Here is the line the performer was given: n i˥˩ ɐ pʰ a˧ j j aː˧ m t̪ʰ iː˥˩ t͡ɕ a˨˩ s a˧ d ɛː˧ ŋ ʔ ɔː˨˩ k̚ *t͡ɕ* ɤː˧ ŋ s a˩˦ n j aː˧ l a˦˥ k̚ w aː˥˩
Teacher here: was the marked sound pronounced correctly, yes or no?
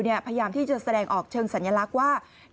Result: no